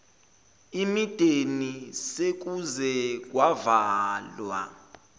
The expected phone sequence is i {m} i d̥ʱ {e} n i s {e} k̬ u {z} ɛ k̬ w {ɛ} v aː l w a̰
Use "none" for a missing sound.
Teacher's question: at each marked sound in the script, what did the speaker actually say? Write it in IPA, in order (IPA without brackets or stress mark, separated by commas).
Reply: m, e, e, z, a